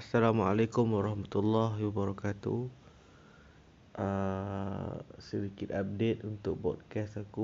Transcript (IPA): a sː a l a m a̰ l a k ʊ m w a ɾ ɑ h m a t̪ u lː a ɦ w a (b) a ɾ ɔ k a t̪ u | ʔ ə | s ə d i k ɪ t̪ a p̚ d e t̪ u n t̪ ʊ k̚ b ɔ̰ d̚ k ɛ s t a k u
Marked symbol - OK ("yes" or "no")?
yes